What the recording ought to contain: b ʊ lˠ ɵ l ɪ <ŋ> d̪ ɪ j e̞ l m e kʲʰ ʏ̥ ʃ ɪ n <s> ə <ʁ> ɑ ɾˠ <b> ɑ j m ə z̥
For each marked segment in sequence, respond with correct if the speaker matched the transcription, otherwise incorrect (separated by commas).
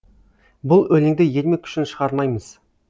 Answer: correct, incorrect, correct, incorrect